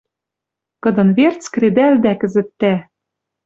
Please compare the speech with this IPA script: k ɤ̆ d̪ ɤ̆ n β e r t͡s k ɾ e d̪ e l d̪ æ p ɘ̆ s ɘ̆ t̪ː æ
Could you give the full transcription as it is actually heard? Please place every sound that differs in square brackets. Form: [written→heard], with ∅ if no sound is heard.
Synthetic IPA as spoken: k ɤ̆ d̪ ɤ̆ n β e r t͡s k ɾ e d̪ [e→æ] l d̪ æ [p→k] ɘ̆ [s→z] ɘ̆ t̪ː æ